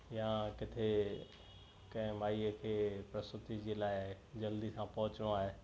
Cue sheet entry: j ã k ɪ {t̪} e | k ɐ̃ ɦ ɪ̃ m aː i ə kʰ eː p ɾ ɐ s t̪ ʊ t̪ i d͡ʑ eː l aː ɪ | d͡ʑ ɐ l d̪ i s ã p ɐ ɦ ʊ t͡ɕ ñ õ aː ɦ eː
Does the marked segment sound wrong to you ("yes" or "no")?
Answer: yes